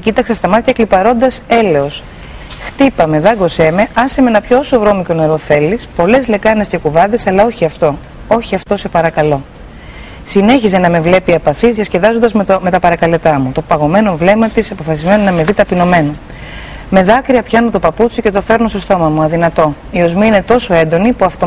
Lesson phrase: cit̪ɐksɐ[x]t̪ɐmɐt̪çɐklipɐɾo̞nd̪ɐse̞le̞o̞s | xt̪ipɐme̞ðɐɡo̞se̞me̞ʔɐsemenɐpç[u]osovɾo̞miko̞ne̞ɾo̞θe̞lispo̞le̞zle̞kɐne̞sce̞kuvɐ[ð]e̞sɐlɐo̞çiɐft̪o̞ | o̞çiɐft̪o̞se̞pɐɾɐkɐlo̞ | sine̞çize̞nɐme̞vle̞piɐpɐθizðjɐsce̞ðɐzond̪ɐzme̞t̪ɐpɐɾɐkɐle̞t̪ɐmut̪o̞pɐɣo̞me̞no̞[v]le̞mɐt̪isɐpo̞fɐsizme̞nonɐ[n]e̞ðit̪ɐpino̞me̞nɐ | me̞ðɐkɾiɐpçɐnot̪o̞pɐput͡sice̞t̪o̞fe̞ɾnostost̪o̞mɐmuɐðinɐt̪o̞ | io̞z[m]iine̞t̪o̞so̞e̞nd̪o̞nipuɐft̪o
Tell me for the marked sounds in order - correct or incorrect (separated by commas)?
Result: incorrect, incorrect, correct, correct, incorrect, correct